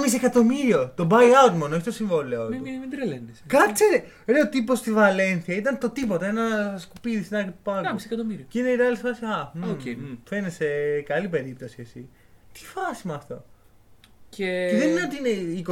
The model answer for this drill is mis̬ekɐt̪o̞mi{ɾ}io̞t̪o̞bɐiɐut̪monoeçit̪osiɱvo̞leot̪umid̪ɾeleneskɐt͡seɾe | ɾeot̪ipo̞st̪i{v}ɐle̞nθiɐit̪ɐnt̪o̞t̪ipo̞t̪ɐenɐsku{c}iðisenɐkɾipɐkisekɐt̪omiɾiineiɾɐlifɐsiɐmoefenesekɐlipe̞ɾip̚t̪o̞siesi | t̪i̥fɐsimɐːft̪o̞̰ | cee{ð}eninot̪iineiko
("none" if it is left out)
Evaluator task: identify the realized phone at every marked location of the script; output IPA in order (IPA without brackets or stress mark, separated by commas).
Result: ɾ, v, p, ð